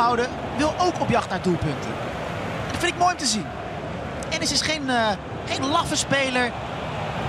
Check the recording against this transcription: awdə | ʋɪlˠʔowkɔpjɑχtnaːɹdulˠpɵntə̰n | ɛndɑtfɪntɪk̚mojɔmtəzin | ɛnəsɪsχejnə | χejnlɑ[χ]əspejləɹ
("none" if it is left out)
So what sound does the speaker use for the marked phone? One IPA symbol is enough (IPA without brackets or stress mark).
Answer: f